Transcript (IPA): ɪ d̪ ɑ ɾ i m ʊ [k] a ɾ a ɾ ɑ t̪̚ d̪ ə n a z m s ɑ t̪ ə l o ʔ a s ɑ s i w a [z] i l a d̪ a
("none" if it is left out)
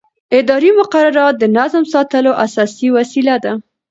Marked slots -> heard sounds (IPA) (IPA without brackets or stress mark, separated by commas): q, s